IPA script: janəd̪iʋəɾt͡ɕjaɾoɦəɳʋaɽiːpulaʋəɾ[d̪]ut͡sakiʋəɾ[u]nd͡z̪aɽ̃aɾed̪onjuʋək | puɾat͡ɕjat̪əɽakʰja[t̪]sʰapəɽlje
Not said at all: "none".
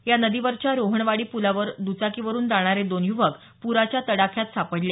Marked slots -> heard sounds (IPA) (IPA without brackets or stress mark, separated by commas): d̪, uː, t̪